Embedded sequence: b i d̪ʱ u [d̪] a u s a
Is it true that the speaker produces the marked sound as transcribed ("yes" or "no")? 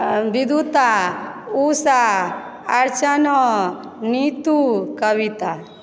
no